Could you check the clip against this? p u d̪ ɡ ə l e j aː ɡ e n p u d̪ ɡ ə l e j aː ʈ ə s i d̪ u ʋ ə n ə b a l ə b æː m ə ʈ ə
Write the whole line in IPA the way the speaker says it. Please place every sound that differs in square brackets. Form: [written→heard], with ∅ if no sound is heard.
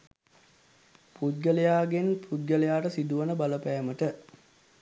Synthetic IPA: p u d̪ ɡ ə l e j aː ɡ e n p u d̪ ɡ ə l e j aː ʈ ə s i d̪ u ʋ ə n ə b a l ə [b→p] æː m ə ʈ ə